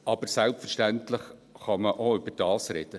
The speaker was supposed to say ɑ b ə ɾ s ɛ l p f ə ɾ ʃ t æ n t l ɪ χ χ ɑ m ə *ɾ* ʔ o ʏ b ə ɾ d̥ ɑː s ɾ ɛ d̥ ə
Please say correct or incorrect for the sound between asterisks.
incorrect